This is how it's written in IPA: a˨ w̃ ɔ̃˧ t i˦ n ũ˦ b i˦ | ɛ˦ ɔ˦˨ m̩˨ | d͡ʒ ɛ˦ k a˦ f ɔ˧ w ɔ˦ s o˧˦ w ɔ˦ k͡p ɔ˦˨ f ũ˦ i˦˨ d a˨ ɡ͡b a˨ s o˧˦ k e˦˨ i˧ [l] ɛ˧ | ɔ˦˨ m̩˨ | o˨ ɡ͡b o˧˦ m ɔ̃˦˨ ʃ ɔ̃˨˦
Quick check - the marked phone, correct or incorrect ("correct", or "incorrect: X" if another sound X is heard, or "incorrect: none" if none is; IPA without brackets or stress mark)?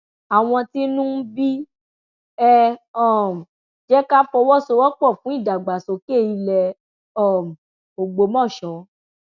correct